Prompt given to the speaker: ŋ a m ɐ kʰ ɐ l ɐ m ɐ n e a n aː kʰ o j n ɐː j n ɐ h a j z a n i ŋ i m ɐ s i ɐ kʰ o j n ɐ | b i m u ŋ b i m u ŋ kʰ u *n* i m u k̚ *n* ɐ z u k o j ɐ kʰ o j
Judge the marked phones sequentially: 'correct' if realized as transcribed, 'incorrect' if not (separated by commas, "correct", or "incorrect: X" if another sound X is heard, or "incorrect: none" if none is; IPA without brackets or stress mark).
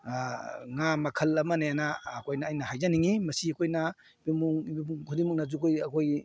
incorrect: d, correct